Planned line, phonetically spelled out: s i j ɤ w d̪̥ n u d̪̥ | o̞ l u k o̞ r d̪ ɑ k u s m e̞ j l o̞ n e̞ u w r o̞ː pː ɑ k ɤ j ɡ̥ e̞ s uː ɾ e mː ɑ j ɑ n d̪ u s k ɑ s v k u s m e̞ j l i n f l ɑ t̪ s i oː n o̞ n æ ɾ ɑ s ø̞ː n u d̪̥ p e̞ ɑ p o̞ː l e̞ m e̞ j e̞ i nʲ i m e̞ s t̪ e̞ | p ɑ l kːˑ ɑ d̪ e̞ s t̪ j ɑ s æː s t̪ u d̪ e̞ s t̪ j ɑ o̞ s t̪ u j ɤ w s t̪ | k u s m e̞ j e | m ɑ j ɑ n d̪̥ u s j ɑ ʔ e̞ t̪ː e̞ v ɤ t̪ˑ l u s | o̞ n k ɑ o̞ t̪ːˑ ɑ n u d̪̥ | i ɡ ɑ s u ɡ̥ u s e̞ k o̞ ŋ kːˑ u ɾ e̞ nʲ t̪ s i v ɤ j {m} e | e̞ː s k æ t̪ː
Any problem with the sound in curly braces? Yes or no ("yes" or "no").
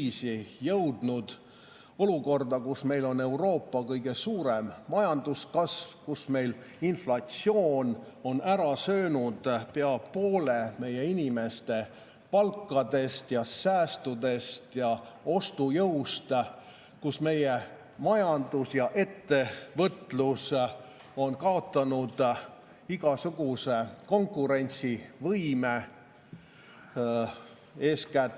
no